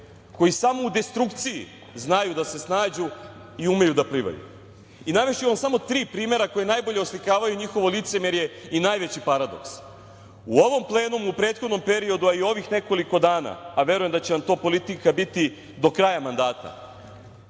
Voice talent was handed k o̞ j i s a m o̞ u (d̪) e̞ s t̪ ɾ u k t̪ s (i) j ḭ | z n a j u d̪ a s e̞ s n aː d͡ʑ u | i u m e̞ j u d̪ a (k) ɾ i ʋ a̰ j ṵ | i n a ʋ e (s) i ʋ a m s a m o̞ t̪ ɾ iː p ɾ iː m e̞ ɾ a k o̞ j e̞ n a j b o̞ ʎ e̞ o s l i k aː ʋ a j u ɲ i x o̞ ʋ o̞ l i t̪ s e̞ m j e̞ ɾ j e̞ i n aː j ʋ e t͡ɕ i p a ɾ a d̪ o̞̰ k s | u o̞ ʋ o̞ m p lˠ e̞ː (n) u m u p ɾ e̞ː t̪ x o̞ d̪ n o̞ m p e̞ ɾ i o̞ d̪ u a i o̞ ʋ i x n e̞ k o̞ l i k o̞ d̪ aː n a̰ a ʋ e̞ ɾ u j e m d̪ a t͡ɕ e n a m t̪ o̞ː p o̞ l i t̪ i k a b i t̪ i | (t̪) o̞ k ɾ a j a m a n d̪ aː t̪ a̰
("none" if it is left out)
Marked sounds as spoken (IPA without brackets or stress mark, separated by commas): d̪, i, p, ʃ, n, d̪